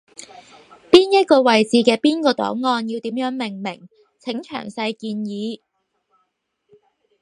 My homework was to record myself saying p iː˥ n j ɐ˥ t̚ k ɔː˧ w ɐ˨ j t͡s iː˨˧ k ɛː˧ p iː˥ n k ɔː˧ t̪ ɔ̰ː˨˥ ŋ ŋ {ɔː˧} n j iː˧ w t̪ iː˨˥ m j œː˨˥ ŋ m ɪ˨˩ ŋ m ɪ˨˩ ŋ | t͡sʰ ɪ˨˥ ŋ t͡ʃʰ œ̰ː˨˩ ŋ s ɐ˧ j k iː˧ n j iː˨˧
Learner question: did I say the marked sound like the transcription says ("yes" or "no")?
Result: yes